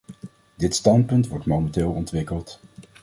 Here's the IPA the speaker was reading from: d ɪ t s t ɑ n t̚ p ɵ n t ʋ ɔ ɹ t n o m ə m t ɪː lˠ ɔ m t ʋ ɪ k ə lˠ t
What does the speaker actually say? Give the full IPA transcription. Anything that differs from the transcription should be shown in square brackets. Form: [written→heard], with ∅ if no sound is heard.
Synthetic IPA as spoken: d ɪ t s t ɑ n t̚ p ɵ n t ʋ ɔ ɹ t [n→m] o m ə [m→n] t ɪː lˠ ɔ [m→n] t ʋ ɪ k ə lˠ t